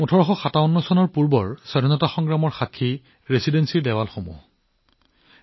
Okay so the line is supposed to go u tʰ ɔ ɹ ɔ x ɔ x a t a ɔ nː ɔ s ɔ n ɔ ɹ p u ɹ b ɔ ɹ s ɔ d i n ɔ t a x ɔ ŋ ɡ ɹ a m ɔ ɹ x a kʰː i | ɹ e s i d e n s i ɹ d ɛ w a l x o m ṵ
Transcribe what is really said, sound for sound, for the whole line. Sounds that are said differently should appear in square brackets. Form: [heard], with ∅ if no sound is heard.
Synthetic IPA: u tʰ ɔ ɹ ɔ x ɔ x a t a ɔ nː ɔ s ɔ n ɔ ɹ p u ɹ b ɔ ɹ s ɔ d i n ɔ t a x ɔ ŋ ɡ ɹ a m ɔ ɹ x a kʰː i | ɹ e s i d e n s i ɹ d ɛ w a l x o m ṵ